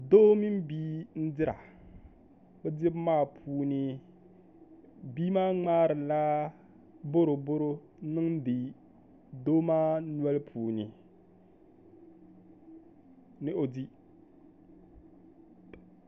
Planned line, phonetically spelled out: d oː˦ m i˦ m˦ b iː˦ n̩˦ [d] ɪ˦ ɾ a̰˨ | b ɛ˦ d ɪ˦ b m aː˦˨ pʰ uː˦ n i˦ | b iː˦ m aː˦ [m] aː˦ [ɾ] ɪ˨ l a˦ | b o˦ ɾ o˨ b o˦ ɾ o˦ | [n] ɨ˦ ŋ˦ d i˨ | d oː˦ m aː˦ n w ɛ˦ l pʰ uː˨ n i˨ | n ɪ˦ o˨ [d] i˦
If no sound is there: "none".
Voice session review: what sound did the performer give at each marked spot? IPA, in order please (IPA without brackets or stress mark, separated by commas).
d, ŋ͡m, ɾ, n, d